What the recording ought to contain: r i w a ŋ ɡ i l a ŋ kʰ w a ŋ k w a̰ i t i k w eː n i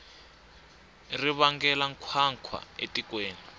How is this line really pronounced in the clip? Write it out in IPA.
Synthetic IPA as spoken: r i β a ŋ ɡ ɛ l a ŋ kʰ w a ŋ kʰ w a̰ e t i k w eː n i

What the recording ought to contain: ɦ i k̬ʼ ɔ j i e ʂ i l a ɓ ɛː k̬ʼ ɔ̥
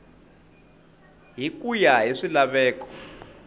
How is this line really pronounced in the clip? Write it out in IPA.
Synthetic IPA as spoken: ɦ i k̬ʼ u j a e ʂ i l a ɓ ɛː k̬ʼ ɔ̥

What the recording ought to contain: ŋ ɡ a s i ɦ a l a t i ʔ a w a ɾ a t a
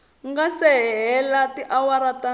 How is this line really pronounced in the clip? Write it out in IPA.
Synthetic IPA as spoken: ŋ ɡ a s ɛ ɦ ɛ l a t i ʔ a w a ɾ a t a

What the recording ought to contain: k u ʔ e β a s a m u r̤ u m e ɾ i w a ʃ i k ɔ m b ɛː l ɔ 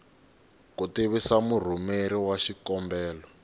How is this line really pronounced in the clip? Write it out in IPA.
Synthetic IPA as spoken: k u t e β i s a m u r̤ u m e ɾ i w a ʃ i k ɔ m b ɛː l ɔ

